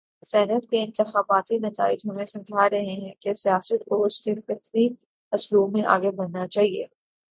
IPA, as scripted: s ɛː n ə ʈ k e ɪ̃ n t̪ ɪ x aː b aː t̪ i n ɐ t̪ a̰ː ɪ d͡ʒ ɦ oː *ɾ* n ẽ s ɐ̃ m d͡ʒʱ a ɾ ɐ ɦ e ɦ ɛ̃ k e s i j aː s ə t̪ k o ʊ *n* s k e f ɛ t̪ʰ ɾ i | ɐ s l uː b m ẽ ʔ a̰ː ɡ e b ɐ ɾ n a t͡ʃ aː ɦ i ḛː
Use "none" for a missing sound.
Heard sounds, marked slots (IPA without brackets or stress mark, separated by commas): none, none